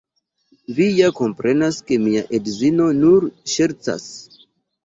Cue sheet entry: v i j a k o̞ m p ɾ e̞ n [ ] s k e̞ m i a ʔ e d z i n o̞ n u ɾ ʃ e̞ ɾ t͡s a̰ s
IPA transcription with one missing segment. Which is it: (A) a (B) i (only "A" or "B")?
A